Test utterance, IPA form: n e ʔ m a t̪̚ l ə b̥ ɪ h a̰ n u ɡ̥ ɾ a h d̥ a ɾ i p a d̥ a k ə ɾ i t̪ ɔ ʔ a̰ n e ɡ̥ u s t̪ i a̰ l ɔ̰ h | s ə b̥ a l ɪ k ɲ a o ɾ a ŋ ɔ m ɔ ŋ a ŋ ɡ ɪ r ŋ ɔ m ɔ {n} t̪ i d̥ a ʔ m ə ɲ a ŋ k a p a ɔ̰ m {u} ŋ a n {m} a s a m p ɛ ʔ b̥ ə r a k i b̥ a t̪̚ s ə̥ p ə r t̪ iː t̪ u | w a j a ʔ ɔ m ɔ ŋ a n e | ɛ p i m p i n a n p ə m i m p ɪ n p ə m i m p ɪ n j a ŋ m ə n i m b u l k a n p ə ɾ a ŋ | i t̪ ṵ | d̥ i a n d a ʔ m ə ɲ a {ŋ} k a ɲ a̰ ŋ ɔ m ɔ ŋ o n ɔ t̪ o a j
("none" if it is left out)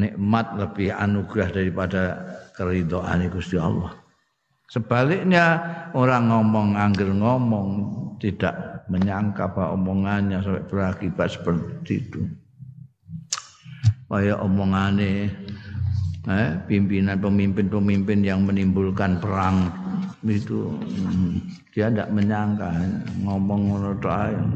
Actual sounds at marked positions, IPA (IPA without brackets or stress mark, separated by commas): ŋ, ɔ, ɲ, ŋ